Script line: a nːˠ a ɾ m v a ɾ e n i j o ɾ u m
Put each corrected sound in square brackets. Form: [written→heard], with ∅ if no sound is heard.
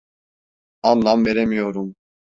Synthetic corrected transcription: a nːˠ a [ɾ→∅] m v [a→e] ɾ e [n→m] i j o ɾ u m